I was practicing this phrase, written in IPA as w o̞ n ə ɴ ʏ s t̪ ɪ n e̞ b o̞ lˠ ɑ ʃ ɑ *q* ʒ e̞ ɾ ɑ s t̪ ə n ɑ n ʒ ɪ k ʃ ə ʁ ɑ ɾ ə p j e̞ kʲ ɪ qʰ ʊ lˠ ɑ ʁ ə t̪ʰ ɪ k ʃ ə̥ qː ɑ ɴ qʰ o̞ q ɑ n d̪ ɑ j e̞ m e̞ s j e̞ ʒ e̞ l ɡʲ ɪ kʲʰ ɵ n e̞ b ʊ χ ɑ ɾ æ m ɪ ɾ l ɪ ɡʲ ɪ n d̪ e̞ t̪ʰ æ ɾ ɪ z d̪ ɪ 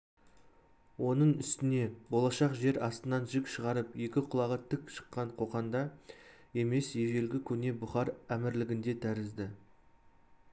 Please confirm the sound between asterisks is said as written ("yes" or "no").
yes